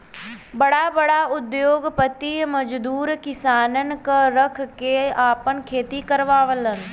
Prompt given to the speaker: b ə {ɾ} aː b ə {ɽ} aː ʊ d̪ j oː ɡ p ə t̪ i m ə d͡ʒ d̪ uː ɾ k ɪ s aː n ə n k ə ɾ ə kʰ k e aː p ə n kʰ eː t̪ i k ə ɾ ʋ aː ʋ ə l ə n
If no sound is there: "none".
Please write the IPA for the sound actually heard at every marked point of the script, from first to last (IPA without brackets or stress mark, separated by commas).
ɽ, ɽ